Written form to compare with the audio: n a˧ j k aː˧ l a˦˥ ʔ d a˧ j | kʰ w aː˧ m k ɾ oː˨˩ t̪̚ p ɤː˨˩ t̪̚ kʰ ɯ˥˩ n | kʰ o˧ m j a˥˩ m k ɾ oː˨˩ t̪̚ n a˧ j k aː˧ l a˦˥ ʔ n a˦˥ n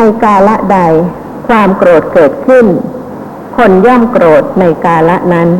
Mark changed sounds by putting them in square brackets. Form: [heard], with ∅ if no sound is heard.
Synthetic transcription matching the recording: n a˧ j k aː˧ l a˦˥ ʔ d a˧ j | kʰ w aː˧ m k ɾ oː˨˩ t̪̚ [k] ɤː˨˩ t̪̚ kʰ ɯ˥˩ n | kʰ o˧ [n] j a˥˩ m k ɾ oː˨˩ t̪̚ n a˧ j k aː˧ l a˦˥ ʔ n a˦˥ n